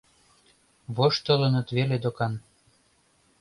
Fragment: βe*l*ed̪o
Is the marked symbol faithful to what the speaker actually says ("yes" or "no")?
yes